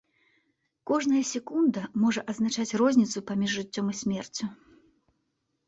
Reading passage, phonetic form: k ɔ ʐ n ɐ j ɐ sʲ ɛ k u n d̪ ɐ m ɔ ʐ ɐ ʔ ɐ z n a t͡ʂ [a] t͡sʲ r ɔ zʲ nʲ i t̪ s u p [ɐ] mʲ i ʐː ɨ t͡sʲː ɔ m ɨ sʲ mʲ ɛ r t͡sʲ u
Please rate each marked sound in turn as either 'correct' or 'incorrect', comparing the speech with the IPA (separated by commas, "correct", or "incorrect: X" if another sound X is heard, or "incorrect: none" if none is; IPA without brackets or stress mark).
correct, incorrect: a